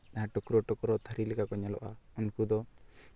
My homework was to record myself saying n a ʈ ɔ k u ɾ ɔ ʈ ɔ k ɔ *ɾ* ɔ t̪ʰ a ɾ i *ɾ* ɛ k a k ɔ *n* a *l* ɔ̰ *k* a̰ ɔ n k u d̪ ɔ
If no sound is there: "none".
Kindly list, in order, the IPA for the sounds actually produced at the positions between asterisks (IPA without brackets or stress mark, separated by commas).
ɾ, l, ɲ, l, ʔ